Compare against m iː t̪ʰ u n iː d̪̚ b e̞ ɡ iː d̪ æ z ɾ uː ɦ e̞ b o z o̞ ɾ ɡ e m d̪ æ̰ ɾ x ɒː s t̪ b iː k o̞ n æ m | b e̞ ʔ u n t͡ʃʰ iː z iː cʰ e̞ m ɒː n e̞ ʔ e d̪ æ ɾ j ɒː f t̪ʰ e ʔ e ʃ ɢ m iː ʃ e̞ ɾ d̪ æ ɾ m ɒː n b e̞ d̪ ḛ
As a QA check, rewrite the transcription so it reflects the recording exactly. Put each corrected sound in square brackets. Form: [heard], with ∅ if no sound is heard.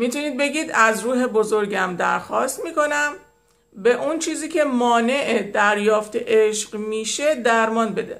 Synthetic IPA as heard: m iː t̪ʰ u n iː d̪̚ b e̞ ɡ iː d̪ æ z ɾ uː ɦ e̞ b o z o̞ ɾ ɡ [æ] m d̪ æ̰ ɾ x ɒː s t̪ [m] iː k o̞ n æ m | b e̞ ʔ u n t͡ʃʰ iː z iː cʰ e̞ m ɒː n e̞ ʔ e d̪ æ ɾ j ɒː f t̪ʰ e ʔ e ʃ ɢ m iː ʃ e̞ [∅] d̪ æ ɾ m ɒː n b e̞ d̪ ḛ